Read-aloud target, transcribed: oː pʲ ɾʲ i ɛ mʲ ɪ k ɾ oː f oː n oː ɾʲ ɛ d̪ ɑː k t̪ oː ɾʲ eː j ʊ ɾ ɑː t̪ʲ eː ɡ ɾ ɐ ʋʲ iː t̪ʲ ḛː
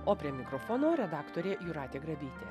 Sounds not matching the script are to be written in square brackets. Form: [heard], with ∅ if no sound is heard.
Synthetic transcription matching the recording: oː pʲ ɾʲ i ɛ mʲ ɪ k ɾ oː f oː n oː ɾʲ ɛ d̪ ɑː k t̪ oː ɾʲ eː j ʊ ɾ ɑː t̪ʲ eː ɡ ɾ ɐ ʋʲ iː t̪ʲ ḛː